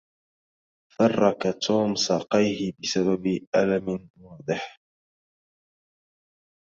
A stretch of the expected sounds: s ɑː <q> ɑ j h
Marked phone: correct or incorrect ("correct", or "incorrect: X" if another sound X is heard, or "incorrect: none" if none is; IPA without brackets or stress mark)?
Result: correct